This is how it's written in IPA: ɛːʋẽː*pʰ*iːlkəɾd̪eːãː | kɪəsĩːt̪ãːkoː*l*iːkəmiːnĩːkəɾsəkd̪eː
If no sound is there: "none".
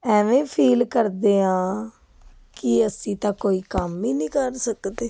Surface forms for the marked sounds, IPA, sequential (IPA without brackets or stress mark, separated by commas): pʰ, none